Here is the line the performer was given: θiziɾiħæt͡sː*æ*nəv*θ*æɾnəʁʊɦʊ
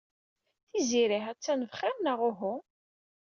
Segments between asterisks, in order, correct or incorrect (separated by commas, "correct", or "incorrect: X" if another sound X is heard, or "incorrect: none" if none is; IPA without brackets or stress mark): correct, incorrect: χ